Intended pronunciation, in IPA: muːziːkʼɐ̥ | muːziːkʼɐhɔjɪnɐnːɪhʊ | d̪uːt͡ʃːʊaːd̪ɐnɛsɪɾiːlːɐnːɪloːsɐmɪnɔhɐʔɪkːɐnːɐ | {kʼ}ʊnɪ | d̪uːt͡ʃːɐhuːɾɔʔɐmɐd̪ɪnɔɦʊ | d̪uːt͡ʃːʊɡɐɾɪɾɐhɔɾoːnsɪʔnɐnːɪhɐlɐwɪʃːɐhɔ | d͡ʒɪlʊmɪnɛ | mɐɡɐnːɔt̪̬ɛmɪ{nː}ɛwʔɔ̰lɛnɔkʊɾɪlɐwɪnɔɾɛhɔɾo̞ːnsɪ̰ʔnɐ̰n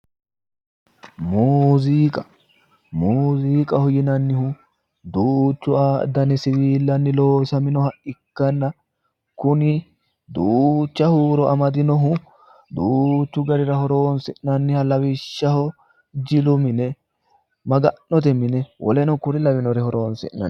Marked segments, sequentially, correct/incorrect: incorrect: k, incorrect: n

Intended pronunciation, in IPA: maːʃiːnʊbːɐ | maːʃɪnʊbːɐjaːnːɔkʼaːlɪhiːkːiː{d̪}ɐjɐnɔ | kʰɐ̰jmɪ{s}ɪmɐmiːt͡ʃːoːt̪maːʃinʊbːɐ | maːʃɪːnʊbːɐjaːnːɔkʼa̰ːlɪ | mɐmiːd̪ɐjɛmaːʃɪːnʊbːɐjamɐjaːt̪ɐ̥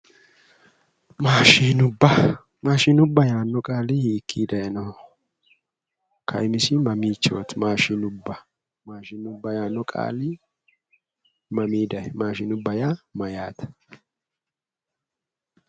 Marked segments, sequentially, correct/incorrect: correct, correct

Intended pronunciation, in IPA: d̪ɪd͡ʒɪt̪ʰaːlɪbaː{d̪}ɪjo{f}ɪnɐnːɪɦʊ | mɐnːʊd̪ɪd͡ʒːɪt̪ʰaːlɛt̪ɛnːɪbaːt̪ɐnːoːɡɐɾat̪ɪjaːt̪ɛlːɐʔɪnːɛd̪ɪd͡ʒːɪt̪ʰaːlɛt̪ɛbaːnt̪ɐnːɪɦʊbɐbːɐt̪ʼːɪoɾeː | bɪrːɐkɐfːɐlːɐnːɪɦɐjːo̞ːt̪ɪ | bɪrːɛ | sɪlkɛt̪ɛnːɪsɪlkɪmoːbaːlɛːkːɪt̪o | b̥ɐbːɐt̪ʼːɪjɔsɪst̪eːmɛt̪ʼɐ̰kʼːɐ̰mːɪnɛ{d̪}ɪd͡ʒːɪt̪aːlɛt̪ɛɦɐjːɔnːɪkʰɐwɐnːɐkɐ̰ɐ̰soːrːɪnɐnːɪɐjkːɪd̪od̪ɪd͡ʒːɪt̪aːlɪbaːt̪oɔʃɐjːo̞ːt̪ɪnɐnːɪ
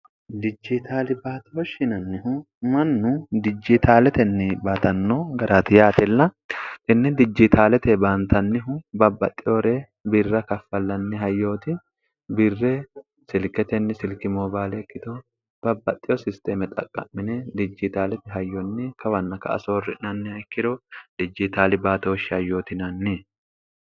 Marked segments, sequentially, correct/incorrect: incorrect: t̪, incorrect: ʃ, correct

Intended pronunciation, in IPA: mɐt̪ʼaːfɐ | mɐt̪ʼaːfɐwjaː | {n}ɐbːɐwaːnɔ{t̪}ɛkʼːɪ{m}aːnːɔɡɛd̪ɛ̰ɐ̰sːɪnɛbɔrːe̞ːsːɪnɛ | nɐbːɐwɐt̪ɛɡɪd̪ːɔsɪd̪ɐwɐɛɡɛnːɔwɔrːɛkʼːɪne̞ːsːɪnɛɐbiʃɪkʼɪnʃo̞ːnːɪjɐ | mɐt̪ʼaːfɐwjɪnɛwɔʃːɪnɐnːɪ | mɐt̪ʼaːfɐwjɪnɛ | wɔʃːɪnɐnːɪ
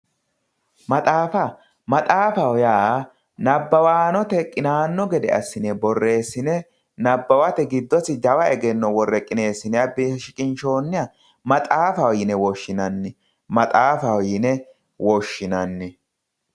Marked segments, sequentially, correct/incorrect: correct, correct, incorrect: n

